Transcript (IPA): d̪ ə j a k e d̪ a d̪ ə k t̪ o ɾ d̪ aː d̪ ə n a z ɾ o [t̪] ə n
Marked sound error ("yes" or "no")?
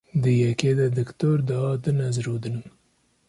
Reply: yes